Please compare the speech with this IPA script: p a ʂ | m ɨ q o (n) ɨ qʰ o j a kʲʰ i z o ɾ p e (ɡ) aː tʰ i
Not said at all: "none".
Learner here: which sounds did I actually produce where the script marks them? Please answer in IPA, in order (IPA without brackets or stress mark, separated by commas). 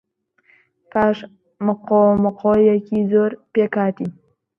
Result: m, k